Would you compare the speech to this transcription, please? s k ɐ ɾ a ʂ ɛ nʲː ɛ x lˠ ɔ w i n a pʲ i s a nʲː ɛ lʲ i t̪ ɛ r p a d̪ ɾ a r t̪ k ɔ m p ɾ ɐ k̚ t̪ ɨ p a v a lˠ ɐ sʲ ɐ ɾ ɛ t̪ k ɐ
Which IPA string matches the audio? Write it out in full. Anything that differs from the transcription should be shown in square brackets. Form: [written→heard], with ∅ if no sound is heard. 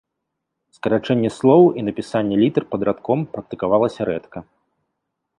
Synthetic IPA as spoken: s k ɐ ɾ a [ʂ→t͡ʂ] ɛ nʲː ɛ [x→s] lˠ ɔ w i n [a→ɐ] pʲ i s a nʲː ɛ lʲ i t̪ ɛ r p [a→ɐ] d̪ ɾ a [r→∅] t̪ k ɔ m p ɾ ɐ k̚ t̪ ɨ [p→k] a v a lˠ ɐ sʲ ɐ ɾ ɛ t̪ k ɐ